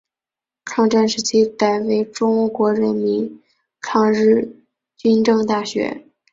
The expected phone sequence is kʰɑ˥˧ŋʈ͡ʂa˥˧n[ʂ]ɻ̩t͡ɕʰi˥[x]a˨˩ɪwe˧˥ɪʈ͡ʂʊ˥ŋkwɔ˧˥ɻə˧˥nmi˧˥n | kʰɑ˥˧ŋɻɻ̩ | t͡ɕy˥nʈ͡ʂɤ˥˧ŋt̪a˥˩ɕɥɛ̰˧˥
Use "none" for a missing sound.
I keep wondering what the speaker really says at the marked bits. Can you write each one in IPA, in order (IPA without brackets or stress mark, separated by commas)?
ʂ, k